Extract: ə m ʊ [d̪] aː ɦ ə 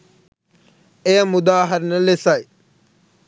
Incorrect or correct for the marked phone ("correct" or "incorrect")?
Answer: correct